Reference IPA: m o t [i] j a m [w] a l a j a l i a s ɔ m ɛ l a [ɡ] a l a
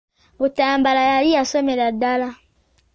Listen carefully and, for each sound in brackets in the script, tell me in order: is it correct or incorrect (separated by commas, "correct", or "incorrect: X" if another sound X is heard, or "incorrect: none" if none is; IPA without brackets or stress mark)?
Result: incorrect: a, incorrect: b, incorrect: d